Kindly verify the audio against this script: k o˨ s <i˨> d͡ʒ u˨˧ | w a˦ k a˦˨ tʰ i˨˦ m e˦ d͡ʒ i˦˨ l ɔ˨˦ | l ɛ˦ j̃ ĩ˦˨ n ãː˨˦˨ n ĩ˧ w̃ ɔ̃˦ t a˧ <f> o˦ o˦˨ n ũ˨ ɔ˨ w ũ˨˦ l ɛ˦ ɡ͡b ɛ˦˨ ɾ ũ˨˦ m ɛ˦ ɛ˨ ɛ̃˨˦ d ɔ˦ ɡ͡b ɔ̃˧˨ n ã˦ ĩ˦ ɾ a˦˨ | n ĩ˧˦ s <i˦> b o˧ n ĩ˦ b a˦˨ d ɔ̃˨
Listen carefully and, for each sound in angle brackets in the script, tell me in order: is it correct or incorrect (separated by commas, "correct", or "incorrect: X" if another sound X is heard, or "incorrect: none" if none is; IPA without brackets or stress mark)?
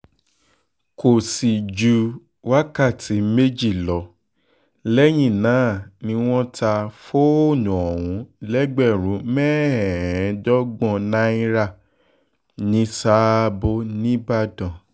correct, correct, incorrect: a˦